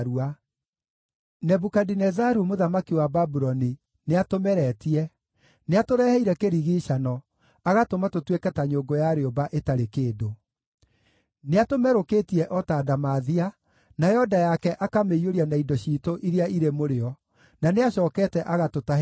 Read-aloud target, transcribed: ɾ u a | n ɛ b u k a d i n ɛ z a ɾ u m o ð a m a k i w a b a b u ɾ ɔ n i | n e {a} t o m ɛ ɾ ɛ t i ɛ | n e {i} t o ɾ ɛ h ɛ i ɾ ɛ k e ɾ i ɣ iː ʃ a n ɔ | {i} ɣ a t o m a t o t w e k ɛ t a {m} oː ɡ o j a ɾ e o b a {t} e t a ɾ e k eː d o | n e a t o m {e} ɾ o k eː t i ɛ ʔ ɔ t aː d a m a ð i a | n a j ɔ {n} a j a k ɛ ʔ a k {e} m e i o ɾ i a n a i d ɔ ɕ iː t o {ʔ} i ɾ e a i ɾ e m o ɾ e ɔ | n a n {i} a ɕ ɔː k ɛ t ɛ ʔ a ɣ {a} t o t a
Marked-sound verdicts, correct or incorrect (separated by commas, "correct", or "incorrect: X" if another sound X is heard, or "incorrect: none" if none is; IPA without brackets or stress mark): correct, incorrect: a, incorrect: a, incorrect: ɲ, incorrect: ʔ, incorrect: ɛ, incorrect: d, incorrect: a, correct, incorrect: e, correct